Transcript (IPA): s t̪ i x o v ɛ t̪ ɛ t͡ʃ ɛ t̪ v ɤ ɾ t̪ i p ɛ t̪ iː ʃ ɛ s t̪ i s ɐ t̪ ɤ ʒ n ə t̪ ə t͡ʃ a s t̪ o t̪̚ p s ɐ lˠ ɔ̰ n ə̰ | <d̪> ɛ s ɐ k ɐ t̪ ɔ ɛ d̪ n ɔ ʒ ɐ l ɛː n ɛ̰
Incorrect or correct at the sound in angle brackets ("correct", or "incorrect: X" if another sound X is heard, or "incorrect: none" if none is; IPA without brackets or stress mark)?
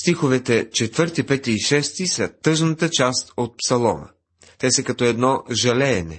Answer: incorrect: t̪